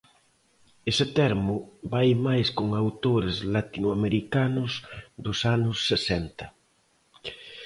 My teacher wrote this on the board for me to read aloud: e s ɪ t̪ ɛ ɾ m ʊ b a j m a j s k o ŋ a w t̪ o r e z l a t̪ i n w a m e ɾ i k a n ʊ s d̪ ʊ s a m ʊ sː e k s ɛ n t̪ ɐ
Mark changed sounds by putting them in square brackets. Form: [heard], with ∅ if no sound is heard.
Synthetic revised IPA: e s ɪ t̪ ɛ ɾ m ʊ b a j m a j s k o ŋ a w t̪ o [ɾ] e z l a t̪ i n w a m e ɾ i k a n ʊ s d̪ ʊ s a [n] ʊ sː e [∅] s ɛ n t̪ ɐ